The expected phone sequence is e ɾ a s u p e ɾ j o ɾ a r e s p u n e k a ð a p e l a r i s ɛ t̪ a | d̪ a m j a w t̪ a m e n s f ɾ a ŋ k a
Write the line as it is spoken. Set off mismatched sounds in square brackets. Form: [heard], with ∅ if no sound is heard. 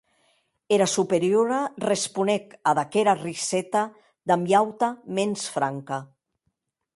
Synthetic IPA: e ɾ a s u p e ɾ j o ɾ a r e s p u n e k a ð a [k] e [ɾ] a r i s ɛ t̪ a | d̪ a m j a w t̪ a m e n s f ɾ a ŋ k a